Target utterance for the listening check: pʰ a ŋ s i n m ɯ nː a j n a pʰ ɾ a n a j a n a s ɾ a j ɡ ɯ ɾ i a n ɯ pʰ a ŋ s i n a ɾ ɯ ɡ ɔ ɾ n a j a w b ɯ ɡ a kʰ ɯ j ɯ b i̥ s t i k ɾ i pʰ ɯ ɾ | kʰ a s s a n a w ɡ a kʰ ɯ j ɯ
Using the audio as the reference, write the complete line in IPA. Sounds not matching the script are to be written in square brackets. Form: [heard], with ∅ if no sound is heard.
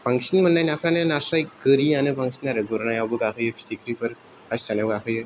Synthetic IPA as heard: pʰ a ŋ s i n m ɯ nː a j n a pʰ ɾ a n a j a n a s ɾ a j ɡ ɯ ɾ i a n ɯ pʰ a ŋ s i n a ɾ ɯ ɡ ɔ ɾ n a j a w b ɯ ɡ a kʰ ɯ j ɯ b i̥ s t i k ɾ i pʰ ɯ ɾ | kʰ a s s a n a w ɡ a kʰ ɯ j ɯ